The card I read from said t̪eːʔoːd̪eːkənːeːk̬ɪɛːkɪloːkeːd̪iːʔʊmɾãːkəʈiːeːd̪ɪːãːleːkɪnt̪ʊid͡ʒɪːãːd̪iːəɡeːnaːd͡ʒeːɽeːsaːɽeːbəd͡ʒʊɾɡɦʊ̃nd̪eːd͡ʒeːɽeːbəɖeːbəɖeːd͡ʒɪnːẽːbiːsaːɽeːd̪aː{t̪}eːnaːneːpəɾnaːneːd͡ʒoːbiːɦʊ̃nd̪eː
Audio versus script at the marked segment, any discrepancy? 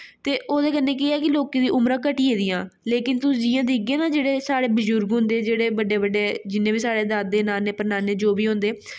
yes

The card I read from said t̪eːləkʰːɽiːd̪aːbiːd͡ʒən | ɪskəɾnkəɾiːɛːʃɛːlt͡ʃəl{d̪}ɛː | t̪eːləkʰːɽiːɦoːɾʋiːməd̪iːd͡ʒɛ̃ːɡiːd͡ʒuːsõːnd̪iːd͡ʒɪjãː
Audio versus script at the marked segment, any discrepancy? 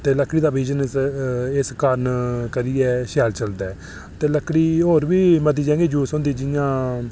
no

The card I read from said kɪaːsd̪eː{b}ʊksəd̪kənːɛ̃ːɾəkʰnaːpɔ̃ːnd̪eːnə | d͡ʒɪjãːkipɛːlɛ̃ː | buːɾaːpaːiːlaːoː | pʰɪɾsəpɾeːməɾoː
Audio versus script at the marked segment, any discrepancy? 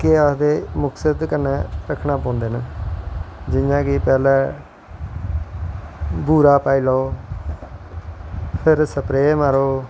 yes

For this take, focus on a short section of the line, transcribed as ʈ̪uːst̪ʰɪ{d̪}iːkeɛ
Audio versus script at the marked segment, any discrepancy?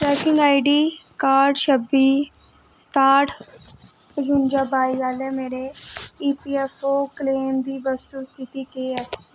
yes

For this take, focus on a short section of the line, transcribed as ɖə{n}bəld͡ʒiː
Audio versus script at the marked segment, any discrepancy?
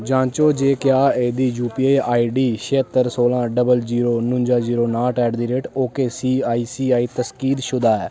yes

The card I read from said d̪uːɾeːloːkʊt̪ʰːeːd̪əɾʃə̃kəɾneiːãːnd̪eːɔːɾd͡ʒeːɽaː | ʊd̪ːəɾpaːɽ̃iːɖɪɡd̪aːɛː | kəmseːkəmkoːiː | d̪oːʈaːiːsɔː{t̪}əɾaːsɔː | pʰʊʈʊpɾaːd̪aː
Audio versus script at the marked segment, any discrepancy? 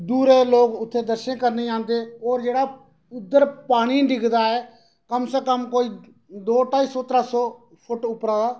no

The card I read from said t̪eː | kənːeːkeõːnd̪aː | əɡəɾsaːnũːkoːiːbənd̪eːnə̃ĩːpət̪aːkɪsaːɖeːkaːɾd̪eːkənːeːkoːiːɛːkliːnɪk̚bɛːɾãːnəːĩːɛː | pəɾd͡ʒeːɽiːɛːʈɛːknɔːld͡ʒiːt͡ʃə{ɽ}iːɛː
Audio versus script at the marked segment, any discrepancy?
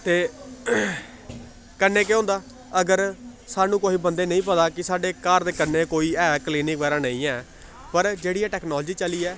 yes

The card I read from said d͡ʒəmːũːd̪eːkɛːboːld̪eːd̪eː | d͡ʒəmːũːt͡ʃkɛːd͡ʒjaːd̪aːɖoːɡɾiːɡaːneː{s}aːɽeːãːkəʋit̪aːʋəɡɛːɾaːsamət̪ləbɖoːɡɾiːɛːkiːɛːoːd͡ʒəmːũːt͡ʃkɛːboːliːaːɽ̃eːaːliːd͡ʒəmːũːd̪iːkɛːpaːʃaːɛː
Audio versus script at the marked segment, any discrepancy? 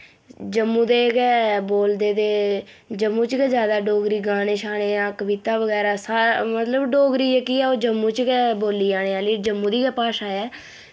yes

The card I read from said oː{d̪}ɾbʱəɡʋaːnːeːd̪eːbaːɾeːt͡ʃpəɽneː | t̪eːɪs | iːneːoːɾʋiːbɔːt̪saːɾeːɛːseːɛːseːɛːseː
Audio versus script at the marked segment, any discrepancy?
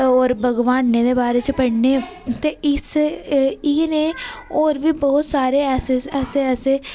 yes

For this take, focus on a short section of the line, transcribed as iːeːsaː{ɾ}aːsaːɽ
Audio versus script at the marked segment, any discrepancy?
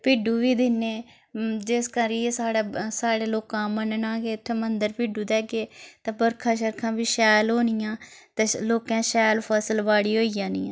yes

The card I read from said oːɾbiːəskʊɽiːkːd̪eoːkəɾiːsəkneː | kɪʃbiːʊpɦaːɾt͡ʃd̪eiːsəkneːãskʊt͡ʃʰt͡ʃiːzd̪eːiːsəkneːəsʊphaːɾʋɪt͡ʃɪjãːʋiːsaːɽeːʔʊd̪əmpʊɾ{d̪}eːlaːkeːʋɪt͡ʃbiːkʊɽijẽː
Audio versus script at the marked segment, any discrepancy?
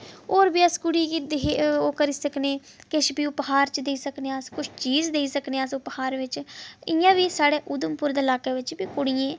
no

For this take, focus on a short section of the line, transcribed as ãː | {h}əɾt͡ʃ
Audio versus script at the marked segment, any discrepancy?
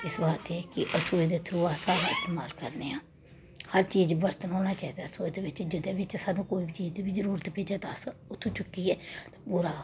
no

